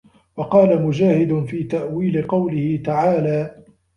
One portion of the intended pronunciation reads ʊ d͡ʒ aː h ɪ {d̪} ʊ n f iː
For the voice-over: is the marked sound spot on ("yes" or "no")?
yes